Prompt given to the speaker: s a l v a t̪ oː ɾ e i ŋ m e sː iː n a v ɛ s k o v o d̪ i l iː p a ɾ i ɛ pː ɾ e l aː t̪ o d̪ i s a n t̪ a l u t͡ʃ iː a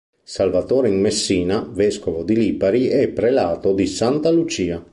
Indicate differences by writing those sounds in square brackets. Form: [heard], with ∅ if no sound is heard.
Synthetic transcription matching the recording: s a l v a t̪ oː ɾ e i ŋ m e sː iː n a v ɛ s k o v o d̪ i l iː p a ɾ i ɛ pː ɾ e l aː t̪ o d̪ i s a n t̪ a l u t͡ʃ iː a